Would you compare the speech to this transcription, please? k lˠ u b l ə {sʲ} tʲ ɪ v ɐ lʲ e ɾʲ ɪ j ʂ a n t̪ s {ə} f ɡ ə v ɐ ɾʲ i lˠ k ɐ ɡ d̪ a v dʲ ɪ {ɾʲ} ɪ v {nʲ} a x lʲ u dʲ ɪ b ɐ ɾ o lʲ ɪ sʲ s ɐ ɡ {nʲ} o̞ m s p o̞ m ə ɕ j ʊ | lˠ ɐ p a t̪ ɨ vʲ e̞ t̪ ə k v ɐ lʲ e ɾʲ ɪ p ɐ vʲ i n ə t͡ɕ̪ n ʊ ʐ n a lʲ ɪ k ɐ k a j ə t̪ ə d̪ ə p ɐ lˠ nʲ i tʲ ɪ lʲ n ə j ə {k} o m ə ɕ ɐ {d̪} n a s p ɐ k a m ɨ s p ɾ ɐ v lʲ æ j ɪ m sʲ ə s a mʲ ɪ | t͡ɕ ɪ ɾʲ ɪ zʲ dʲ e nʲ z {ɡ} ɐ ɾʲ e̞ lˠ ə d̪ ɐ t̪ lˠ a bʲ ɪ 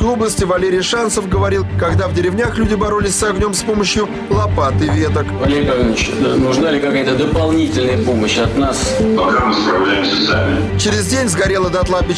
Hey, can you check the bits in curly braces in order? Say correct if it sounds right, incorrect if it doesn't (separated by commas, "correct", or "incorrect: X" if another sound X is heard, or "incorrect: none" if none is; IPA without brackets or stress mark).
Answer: correct, correct, correct, correct, correct, incorrect: p, incorrect: t̪, correct